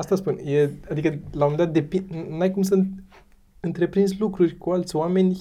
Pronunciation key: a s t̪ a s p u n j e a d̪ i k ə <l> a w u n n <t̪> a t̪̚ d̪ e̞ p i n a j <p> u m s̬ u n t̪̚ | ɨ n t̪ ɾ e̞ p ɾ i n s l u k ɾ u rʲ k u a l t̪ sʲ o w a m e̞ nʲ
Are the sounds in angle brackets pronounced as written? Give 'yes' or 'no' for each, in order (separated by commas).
yes, no, no